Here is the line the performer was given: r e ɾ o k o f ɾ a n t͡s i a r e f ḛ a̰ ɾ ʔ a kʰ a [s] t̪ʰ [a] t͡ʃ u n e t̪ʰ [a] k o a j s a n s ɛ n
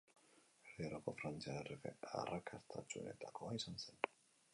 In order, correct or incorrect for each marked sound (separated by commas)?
correct, correct, correct